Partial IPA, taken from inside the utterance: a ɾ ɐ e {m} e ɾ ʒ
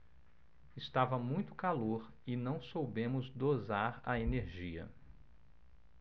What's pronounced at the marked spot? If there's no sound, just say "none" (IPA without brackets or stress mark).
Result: n